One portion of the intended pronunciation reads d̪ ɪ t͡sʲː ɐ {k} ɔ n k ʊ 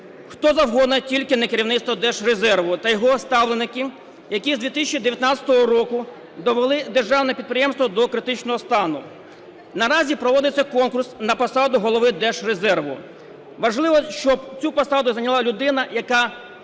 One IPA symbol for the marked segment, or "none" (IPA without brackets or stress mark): k